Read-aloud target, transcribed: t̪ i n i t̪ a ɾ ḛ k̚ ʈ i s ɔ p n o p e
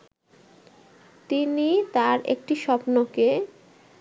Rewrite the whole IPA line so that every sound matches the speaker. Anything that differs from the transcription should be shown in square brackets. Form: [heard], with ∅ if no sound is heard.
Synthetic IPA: t̪ i n i t̪ a ɾ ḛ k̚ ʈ i [ʃ] ɔ p n o [k] e